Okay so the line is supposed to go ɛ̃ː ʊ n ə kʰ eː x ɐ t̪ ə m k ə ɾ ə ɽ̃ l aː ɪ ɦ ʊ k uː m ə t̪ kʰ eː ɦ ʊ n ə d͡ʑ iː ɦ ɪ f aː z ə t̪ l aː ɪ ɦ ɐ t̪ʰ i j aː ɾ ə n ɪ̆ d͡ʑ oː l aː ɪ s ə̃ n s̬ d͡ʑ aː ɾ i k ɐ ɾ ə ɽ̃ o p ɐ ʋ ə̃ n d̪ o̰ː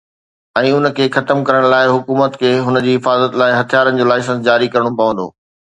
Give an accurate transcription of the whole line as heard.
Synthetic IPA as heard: ɛ̃ː ʊ n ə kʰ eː x ɐ t̪ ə m k ɐ ɾ ə ɽ̃ l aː ɪ ɦ ʊ k uː m ə t̪ kʰ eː ɦ ʊ n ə d͡ʑ iː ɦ ɪ f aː z ə t̪ l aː ɪ ɦ ɐ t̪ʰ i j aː ɾ ə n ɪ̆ d͡ʑ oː l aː ɪ s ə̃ n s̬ d͡ʑ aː ɾ i k ɐ ɾ ə ɽ̃ o p ɐ ʋ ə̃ n d̪ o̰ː